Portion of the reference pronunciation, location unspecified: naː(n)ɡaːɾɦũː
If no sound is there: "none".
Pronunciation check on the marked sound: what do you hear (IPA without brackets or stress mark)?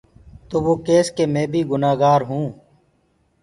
none